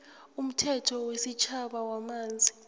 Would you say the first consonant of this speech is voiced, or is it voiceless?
voiced